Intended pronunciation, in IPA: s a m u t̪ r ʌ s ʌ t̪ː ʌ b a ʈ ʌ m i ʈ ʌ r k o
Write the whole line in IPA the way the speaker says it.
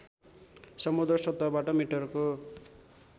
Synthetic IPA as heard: s ʌ m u d̪ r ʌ s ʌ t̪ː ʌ b a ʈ ʌ m i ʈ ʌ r k o